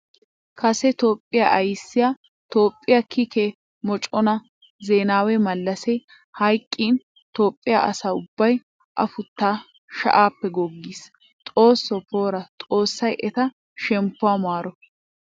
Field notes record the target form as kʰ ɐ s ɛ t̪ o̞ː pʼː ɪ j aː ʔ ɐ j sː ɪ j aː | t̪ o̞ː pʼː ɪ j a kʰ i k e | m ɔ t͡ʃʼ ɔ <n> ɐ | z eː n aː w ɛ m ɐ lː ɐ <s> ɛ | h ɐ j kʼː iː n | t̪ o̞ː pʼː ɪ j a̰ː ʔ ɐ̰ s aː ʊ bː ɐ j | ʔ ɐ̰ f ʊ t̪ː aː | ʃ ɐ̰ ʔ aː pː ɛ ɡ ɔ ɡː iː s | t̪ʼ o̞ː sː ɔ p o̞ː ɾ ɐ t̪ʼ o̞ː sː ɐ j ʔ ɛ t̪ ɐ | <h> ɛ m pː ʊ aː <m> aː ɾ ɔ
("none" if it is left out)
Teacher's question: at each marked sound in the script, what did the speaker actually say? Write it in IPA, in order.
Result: n, s, ʃ, m

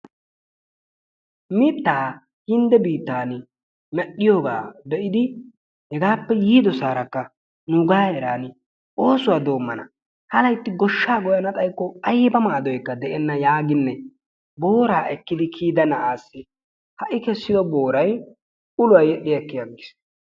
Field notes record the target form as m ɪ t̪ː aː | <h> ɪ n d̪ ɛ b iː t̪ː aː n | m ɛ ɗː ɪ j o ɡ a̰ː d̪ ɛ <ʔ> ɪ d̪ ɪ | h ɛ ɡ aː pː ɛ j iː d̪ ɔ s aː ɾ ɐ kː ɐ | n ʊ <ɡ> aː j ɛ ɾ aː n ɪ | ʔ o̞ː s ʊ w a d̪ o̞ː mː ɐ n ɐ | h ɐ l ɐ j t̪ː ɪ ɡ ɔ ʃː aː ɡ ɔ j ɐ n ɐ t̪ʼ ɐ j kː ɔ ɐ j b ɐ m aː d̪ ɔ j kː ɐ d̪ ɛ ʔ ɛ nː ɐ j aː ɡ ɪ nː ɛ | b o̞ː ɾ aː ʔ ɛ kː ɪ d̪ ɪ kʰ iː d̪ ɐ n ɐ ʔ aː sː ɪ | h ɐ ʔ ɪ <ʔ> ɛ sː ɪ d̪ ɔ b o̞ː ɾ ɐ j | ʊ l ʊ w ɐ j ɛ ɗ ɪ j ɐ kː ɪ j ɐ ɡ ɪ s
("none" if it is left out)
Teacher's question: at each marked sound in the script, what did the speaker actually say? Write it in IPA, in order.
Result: h, ʔ, ɡ, k

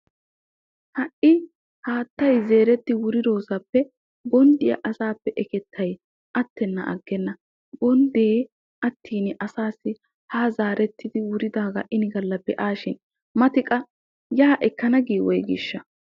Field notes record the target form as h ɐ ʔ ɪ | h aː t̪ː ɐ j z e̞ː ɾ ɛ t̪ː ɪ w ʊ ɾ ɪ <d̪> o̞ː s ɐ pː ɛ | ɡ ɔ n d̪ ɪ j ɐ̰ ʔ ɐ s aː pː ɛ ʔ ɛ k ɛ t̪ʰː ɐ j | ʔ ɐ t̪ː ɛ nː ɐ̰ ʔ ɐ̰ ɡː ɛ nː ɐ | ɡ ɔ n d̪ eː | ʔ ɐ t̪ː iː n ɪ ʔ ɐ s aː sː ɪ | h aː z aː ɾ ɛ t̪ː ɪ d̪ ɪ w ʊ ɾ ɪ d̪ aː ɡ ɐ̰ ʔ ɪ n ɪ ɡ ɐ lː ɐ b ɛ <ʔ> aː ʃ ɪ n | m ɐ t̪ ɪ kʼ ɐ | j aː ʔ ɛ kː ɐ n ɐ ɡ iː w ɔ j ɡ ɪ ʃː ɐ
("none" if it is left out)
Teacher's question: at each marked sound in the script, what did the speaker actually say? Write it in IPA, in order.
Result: d̪, ʔ

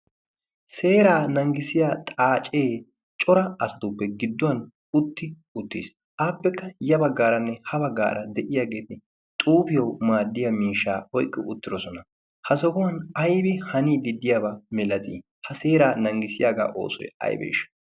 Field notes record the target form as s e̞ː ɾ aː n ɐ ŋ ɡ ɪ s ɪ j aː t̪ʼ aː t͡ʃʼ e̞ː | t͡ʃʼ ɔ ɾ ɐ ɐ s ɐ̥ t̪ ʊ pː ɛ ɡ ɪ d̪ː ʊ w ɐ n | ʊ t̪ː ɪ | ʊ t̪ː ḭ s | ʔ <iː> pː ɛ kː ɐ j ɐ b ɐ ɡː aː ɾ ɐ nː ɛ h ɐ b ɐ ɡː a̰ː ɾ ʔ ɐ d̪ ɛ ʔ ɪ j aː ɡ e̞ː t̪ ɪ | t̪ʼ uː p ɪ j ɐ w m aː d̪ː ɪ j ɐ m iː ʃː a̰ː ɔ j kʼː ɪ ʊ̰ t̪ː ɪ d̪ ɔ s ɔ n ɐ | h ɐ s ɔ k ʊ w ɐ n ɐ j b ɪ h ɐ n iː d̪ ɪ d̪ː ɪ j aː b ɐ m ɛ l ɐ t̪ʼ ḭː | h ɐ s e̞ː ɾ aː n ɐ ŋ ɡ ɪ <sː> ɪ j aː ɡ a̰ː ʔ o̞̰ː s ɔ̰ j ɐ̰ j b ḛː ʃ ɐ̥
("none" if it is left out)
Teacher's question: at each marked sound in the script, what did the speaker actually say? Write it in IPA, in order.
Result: aː, s

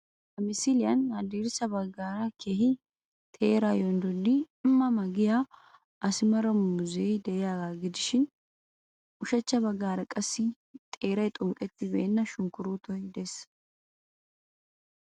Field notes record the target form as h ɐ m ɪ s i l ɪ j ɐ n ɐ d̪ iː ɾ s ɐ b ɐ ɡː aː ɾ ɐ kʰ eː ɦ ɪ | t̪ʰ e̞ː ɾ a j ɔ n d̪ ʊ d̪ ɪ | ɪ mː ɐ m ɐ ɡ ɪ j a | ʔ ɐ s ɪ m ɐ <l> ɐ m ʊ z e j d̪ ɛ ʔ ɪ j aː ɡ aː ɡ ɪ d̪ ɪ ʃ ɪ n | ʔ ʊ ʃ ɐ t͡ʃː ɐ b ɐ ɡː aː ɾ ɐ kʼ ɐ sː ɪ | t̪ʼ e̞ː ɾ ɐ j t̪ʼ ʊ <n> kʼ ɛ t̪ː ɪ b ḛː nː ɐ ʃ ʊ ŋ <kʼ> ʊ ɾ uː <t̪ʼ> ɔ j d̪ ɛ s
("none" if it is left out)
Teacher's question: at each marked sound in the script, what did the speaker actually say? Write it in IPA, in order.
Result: ɾ, ŋ, k, t̪

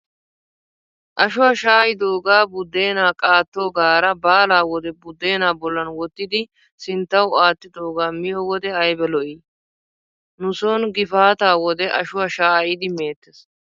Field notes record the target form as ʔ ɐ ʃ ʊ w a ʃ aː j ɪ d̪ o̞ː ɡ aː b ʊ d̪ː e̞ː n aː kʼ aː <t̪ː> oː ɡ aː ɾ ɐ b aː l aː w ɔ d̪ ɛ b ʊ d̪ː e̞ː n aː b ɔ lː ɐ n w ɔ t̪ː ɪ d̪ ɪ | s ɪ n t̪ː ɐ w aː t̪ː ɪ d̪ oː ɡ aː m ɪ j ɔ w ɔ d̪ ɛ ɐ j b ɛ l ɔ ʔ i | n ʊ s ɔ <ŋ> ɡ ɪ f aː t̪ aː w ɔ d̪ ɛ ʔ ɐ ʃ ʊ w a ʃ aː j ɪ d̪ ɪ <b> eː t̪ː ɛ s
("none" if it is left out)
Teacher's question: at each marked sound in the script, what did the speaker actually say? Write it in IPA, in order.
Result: t̪ː, n, m

